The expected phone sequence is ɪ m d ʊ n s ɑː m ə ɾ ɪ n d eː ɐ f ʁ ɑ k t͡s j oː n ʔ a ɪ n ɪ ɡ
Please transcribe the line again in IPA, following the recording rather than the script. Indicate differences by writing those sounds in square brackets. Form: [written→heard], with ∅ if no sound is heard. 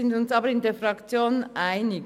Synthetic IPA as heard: ɪ [m→n] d ʊ n s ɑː [m→b] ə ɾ ɪ n d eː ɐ f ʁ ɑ k t͡s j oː n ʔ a ɪ n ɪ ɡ